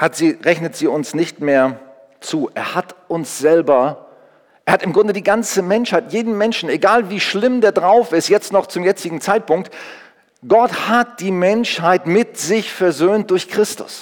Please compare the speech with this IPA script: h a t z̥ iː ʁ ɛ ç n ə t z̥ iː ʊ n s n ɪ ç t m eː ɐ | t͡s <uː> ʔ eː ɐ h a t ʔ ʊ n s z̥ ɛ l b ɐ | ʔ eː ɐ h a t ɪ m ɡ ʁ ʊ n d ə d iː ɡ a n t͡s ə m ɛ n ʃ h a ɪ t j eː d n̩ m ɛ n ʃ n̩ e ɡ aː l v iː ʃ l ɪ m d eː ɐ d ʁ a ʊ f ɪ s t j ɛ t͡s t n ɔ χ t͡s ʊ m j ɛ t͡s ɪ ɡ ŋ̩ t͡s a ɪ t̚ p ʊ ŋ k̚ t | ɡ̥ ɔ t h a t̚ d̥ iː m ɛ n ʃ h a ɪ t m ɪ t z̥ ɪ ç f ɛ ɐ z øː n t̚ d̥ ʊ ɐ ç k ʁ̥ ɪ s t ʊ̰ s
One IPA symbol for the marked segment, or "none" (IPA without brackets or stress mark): uː